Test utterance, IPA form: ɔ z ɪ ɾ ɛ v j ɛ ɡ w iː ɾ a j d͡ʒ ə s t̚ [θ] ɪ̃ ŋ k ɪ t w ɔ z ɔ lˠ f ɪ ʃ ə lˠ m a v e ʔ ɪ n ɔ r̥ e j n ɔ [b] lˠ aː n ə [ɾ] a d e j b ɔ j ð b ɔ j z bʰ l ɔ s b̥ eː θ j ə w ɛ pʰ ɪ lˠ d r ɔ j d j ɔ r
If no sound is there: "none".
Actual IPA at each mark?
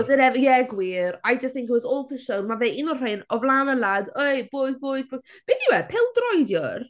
θ, v, l

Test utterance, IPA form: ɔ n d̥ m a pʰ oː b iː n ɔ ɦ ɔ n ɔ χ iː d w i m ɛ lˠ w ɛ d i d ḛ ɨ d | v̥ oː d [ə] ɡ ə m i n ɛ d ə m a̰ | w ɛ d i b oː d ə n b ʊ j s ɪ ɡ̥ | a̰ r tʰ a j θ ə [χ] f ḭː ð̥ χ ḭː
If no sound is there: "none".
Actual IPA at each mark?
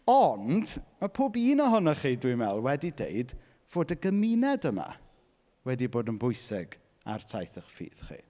ə, χ

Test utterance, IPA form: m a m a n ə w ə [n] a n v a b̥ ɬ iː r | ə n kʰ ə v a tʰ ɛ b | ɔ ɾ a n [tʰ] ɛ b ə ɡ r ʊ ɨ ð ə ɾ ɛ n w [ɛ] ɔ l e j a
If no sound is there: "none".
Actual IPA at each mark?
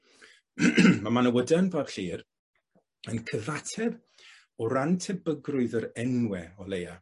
d, tʰ, ɛ

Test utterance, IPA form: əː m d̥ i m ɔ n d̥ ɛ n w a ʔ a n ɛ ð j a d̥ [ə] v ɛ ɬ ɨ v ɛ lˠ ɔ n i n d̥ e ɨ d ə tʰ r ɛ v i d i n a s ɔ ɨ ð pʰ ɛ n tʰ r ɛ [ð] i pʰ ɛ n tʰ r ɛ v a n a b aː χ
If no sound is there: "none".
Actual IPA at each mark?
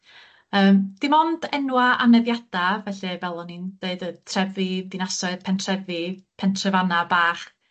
a, v

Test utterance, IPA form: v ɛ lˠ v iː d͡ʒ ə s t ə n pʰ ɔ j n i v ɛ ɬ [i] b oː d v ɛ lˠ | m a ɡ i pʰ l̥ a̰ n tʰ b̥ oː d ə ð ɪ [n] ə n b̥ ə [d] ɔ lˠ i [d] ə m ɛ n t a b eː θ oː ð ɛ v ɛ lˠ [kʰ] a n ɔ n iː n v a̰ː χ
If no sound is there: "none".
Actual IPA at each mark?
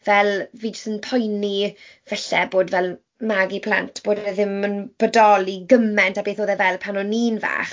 ɛ, m, d, ɡ, pʰ

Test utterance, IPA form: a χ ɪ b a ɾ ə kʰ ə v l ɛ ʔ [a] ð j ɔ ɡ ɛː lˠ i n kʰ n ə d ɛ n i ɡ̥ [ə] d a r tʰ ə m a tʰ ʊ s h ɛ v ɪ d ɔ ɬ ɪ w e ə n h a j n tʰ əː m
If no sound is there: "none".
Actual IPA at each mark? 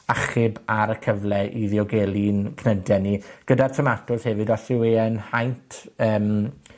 i, ə

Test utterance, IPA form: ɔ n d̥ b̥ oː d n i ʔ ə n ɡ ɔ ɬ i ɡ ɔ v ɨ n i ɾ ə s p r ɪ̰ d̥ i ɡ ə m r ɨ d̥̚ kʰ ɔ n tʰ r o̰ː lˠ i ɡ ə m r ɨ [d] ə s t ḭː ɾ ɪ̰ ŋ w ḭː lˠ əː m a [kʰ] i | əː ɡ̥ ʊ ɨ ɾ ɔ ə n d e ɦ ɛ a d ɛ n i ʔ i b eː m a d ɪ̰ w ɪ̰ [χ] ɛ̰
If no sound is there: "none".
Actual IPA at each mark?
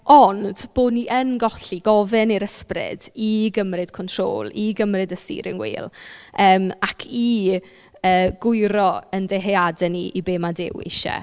d, kʰ, ʃ

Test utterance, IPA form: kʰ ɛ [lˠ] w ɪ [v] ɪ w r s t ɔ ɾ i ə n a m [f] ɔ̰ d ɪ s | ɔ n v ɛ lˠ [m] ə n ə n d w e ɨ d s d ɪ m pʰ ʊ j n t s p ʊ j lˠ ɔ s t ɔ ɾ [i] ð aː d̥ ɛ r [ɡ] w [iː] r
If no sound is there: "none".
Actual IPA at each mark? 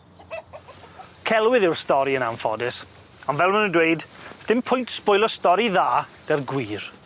lˠ, ð, f, m, i, ɡ, iː

